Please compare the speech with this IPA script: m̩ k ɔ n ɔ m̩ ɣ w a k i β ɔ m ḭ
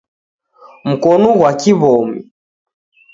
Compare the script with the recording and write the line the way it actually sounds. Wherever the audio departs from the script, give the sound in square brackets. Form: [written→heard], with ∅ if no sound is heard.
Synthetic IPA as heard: m̩ k ɔ n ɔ [m̩→∅] ɣ w a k i β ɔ m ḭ